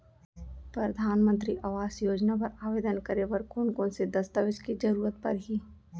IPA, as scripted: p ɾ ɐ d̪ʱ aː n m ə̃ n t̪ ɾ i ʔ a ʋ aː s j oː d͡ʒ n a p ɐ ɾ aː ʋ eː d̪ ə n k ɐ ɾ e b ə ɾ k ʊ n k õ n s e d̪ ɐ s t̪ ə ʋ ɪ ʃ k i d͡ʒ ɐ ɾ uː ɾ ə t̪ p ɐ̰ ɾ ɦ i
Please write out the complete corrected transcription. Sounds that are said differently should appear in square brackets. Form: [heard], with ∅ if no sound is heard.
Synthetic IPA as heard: p ɾ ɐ d̪ʱ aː n m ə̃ n t̪ ɾ i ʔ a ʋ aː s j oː d͡ʒ n a p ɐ ɾ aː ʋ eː d̪ ə n k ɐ ɾ e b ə ɾ k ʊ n k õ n s e d̪ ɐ s t̪ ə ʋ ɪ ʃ k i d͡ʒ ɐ ɾ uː ɾ ə t̪ p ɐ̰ ɾ ɦ i